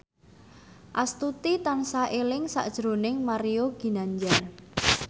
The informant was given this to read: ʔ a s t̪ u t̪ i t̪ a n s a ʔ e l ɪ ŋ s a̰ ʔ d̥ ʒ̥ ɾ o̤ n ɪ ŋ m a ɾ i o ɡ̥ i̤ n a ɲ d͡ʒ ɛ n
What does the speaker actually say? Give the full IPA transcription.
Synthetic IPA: ʔ a s t̪ u t̪ i t̪ a n s a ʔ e l ɪ ŋ s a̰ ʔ d̥ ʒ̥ ɾ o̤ n ɪ ŋ m a ɾ i o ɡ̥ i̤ n a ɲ d͡ʒ a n